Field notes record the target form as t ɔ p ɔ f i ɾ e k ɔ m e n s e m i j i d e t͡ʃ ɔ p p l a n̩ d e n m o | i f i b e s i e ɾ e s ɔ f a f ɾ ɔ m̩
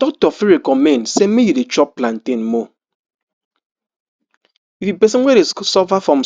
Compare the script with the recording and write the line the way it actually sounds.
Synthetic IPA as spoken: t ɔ t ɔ f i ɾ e k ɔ m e n s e m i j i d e t͡ʃ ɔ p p l a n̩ t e n m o | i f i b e s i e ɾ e s ɔ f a f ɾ ɔ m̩